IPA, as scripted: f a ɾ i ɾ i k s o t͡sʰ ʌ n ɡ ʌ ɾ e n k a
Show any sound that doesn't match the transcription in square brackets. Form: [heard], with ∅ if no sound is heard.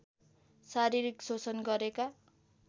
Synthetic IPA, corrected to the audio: [s] a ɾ i ɾ i k s o [t͡s] ʌ n ɡ ʌ ɾ e [∅] k a